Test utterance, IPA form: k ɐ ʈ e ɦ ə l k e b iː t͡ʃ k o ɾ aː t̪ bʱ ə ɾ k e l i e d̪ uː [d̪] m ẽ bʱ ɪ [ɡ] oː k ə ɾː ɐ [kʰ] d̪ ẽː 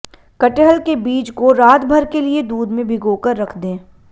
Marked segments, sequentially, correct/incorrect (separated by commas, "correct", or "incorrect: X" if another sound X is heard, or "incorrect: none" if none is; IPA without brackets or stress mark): correct, correct, correct